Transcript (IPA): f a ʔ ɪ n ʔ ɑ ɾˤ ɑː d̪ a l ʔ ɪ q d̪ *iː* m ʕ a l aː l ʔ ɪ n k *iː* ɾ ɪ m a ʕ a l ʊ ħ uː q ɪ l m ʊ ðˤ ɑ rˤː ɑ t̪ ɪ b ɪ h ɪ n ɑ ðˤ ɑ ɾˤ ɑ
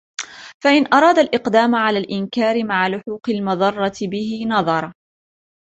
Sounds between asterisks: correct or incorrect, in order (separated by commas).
incorrect, incorrect